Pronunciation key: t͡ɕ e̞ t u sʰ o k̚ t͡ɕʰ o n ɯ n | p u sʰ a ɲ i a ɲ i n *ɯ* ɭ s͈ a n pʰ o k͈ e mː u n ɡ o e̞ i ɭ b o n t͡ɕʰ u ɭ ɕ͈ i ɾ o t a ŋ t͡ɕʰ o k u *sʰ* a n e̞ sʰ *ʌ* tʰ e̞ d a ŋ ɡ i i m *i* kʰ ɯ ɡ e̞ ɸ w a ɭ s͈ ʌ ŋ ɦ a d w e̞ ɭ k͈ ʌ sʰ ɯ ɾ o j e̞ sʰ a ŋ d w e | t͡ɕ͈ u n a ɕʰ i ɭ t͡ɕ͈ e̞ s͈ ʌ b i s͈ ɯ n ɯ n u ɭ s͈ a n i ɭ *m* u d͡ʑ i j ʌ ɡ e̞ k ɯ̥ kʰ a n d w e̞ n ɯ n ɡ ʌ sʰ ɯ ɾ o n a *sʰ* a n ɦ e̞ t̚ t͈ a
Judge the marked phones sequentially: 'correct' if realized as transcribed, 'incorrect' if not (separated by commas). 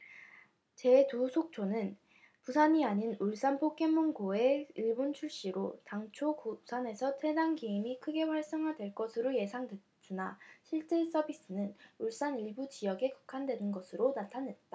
incorrect, correct, correct, correct, incorrect, incorrect